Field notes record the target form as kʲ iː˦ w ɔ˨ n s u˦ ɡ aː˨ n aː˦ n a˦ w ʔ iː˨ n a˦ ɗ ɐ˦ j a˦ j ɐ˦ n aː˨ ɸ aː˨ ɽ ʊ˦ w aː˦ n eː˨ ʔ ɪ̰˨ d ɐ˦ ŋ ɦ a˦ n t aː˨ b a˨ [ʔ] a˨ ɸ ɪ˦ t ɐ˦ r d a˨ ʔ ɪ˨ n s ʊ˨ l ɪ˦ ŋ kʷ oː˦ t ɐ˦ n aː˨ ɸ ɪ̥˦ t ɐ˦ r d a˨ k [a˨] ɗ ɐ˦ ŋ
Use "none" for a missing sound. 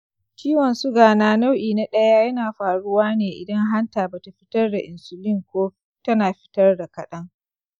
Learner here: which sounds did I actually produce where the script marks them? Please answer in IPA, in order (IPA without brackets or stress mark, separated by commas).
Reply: t, ɐ˨